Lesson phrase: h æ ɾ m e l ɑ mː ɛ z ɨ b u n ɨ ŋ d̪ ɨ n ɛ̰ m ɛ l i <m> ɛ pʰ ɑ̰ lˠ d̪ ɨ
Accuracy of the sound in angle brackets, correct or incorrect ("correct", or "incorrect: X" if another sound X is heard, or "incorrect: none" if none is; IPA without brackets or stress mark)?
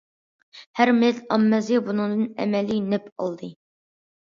incorrect: n